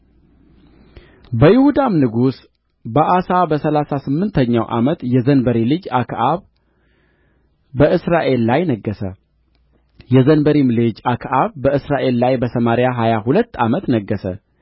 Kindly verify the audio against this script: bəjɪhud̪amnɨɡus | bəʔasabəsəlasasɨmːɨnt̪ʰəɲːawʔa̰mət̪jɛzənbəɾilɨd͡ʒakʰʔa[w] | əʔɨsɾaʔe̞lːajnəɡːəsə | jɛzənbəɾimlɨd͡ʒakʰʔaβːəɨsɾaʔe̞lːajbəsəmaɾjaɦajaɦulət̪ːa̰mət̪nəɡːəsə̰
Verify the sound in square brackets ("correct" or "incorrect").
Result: incorrect